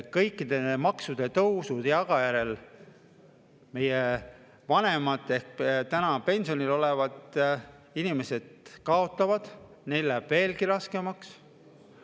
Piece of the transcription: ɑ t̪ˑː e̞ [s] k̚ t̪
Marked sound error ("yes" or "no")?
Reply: yes